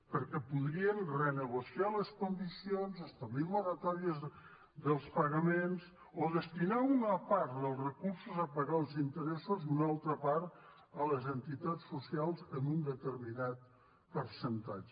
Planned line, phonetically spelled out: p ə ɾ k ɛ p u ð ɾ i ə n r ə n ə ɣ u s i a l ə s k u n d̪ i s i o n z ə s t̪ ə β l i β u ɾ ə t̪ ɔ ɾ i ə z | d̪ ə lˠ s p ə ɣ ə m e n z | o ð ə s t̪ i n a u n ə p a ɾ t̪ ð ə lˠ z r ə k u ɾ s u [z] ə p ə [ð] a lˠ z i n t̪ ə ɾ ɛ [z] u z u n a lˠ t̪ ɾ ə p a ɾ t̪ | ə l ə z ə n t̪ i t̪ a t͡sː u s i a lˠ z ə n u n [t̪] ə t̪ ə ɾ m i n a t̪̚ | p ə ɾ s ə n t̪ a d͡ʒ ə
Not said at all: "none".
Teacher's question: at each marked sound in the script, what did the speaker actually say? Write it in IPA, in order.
z, ɣ, s, d̪

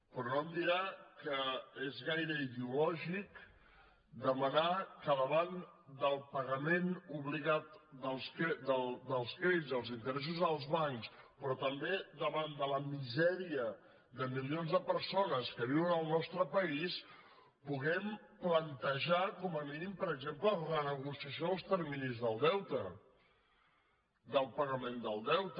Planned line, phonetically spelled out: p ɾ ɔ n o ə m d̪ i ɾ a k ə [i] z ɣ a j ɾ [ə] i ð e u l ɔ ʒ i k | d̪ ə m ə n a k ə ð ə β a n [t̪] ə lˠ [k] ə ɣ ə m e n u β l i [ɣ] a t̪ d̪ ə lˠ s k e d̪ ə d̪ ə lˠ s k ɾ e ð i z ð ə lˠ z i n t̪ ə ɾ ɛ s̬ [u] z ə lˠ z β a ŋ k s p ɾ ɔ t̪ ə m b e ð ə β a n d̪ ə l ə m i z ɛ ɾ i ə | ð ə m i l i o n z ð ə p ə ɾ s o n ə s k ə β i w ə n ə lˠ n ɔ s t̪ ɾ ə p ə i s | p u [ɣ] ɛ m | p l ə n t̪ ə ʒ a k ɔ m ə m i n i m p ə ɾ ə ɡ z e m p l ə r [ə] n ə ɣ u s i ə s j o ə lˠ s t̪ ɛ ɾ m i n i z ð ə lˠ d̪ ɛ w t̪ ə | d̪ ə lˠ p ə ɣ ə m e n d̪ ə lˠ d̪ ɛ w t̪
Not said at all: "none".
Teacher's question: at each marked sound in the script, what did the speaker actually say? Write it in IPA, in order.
e, ə, d̪, p, ɣ, u, ɣ, ə

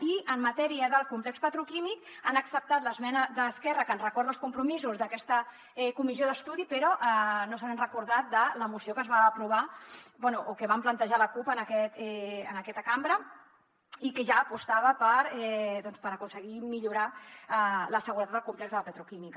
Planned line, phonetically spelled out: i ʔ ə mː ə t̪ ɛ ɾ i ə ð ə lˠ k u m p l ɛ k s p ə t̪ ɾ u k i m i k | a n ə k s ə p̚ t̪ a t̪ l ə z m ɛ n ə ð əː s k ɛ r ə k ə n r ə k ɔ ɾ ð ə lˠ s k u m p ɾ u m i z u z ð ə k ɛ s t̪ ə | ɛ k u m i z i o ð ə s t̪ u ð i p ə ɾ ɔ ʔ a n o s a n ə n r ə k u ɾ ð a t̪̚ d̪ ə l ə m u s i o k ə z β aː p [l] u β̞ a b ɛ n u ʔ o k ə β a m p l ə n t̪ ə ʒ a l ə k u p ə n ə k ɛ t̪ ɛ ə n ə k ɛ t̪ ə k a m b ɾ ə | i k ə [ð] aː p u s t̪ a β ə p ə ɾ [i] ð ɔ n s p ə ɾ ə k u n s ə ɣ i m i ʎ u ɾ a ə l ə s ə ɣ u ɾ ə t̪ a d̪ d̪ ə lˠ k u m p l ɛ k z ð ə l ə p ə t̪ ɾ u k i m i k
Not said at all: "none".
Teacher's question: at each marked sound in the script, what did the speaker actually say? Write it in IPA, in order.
ɾ, ʒ, ɛ

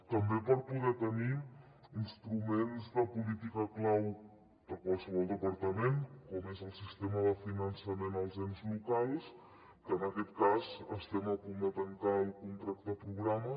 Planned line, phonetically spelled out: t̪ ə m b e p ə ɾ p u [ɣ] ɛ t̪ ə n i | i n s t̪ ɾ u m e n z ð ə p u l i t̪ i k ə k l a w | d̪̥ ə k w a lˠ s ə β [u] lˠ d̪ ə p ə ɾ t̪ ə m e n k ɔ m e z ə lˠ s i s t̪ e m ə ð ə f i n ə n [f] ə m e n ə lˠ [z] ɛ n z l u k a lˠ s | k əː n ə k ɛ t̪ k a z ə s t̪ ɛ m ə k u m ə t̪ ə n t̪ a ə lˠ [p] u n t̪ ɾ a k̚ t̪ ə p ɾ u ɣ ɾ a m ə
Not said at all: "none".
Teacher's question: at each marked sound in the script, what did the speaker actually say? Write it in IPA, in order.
ð, ɔ, s, z, k

